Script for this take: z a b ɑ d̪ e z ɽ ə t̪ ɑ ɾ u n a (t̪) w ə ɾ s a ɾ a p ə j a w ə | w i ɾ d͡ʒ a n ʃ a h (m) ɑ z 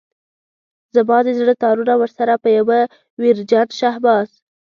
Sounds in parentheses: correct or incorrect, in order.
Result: incorrect: none, incorrect: b

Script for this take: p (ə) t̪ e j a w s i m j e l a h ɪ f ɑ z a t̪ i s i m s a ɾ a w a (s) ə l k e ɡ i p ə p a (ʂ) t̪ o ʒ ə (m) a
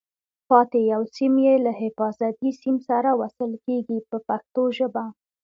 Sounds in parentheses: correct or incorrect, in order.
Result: incorrect: ɑ, correct, incorrect: x, incorrect: b

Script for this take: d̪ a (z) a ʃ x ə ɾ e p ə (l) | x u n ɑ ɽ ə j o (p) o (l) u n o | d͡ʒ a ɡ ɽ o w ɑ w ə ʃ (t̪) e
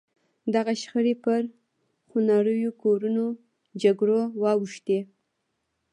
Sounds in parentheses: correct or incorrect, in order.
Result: incorrect: ɣ, incorrect: ɾ, incorrect: k, incorrect: ɾ, correct

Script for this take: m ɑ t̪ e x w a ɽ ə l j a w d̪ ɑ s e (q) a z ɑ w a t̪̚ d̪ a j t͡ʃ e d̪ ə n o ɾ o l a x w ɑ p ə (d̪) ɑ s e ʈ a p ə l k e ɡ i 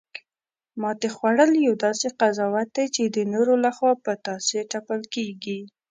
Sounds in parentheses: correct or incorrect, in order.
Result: correct, incorrect: t̪

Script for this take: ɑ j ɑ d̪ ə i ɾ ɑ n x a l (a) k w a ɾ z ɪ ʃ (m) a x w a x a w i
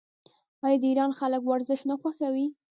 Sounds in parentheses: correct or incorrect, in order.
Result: incorrect: ə, incorrect: n

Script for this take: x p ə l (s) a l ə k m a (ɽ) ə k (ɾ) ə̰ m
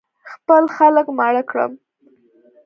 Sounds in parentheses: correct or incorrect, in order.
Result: incorrect: x, correct, incorrect: ɽ

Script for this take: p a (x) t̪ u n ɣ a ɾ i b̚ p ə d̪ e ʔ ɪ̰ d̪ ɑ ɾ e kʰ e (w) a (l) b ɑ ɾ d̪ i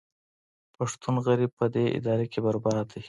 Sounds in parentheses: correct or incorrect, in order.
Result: incorrect: ʂ, incorrect: b, incorrect: ɾ

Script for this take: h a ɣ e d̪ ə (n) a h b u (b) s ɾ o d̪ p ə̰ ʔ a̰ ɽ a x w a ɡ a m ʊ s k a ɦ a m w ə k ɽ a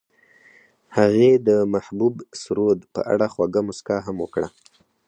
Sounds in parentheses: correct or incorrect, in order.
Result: incorrect: m, correct

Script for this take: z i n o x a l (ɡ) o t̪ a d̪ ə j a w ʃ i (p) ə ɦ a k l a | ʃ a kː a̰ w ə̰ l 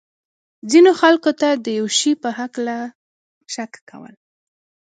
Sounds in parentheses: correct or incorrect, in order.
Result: incorrect: k, correct

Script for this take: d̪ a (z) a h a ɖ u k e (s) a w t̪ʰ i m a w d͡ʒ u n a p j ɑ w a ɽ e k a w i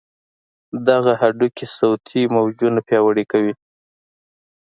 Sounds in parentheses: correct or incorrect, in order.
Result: incorrect: ɣ, correct

